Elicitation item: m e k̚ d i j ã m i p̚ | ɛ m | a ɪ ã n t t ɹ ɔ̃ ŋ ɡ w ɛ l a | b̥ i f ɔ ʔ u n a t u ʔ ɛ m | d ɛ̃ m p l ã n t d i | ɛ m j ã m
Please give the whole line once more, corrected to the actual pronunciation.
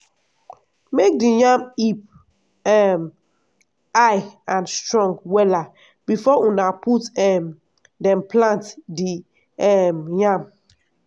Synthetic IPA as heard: m e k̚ d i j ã m i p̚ | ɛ m | a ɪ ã n s t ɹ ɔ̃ ŋ ɡ w ɛ l a | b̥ i f ɔ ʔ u n a p u t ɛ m | d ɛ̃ m p l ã n t d i | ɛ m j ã m

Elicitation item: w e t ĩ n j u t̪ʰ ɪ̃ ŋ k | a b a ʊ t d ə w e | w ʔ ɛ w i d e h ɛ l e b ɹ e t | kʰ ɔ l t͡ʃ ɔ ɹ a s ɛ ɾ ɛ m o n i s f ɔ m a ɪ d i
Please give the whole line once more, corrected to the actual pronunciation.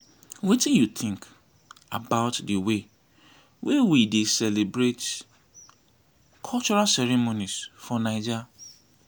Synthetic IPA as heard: w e t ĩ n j u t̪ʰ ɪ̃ ŋ k | a b a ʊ t d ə w e | w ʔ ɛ w i d e s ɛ l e b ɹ e t | kʰ ɔ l t͡ʃ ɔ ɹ a s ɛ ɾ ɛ m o n i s f ɔ n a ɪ d͡ʒ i

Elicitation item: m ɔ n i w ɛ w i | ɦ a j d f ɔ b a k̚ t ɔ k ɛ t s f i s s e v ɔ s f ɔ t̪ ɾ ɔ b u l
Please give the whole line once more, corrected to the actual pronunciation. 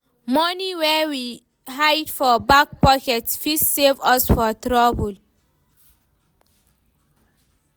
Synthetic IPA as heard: m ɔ n i w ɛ w i | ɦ a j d f ɔ b a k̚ p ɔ k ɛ t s f i s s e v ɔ s f ɔ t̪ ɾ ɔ b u l

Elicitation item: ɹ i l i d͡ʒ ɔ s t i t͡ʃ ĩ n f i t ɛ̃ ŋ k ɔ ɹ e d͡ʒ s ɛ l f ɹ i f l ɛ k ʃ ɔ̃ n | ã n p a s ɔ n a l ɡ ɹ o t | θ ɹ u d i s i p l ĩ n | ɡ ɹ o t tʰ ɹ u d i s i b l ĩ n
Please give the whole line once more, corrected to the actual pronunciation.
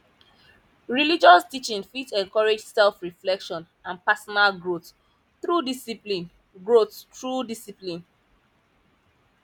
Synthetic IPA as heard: ɹ i l i d͡ʒ ɔ s t i t͡ʃ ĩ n f i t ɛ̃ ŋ k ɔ ɹ e d͡ʒ s ɛ l f ɹ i f l ɛ k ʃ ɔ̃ n | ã n p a s ɔ n a l ɡ ɹ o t | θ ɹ u d i s i p l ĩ n | ɡ ɹ o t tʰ ɹ u d i s i p l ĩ n

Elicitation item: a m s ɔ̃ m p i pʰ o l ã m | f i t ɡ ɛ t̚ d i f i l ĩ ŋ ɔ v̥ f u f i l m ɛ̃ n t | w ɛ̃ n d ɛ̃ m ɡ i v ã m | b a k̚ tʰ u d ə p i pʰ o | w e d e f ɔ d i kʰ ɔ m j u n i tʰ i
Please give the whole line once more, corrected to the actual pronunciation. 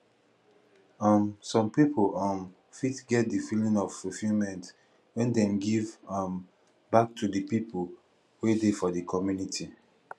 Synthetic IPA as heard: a m s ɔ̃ m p i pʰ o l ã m | f i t ɡ ɛ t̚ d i f i l ĩ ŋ ɔ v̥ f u f i l m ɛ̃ n t | w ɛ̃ n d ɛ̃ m ɡ i v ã m | b a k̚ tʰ u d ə p i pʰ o | w e d e f ɔ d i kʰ ɔ m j u n i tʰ i

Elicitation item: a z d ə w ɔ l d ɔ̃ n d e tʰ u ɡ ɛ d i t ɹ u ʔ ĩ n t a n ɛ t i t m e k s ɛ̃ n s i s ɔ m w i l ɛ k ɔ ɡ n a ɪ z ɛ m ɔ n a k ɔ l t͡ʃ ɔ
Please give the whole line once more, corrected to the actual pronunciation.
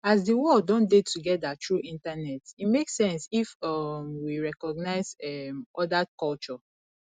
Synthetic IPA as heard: a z d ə w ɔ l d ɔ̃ n d e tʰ u ɡ ɛ d a t ɹ u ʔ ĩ n t a n ɛ t i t m e k s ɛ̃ n s i f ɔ m w i ɹ ɛ k ɔ ɡ n a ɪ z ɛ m ɔ d a k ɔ l t͡ʃ ɔ

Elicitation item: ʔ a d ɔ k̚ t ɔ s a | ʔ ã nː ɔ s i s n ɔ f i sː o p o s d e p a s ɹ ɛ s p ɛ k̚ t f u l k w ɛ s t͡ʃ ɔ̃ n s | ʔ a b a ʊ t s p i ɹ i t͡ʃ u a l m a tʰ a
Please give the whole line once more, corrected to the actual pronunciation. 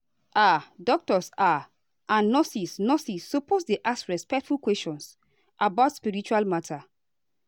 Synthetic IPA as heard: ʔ a d ɔ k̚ t ɔ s a | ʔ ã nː ɔ s i s n ɔ s i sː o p o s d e ʔ a s ɹ ɛ s p ɛ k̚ t f u l k w ɛ s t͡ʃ ɔ̃ n s | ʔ a b a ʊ t s p i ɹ i t͡ʃ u a l m a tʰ a

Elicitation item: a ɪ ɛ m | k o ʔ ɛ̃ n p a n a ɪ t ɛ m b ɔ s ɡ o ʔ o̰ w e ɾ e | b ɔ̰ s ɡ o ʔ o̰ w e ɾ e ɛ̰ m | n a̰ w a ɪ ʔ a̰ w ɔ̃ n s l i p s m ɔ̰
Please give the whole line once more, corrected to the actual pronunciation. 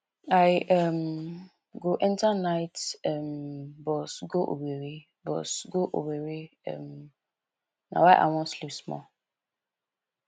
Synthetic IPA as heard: a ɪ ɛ m | ɡ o ʔ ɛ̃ n t a n a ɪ t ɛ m b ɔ s ɡ o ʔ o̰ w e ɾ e | b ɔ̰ s ɡ o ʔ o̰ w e ɾ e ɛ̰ m | n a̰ w a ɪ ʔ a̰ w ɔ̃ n s l i p s m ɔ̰

